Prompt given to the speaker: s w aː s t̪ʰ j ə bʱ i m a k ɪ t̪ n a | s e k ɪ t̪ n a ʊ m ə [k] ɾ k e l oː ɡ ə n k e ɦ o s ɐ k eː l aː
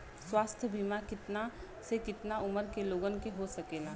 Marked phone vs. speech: incorrect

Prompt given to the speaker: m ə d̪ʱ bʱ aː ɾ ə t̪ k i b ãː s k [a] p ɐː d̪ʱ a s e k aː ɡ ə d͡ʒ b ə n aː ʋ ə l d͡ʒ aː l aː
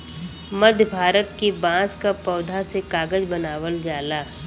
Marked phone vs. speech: correct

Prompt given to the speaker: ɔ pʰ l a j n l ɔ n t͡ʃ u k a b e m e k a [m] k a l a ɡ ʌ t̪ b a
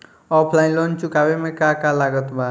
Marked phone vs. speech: incorrect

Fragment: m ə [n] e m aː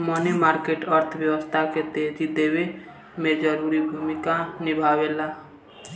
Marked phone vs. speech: correct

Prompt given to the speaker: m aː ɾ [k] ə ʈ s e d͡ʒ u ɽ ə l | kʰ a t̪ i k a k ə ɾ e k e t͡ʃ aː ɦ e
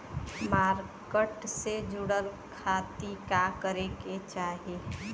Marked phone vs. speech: correct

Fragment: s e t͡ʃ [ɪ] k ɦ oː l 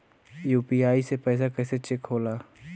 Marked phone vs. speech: correct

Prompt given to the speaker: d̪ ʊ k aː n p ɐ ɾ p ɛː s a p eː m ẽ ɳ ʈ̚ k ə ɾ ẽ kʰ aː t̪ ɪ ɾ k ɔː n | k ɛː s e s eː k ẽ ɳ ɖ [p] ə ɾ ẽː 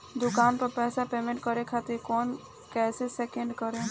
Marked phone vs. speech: incorrect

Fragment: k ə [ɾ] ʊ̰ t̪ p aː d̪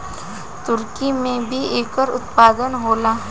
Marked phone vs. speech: correct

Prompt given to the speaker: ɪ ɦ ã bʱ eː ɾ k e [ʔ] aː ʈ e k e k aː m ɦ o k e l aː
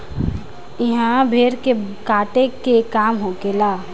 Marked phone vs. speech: incorrect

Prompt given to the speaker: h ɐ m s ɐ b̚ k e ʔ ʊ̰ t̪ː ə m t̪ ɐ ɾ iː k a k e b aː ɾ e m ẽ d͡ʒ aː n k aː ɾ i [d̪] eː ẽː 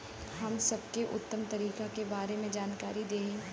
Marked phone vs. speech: correct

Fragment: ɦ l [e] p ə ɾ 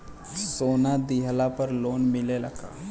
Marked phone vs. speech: incorrect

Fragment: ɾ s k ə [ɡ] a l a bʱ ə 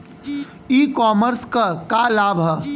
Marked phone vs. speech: incorrect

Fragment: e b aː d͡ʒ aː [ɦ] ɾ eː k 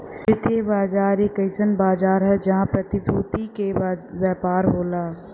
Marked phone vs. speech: incorrect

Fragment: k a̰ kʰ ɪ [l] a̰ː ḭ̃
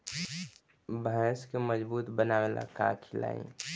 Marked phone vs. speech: correct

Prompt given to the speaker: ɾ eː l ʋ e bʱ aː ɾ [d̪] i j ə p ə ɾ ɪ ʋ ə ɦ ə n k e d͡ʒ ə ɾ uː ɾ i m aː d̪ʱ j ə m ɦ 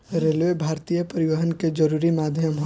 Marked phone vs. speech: incorrect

